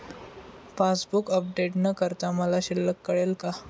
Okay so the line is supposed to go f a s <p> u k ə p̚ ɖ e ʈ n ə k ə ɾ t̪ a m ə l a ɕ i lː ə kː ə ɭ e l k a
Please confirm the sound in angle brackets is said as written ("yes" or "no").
no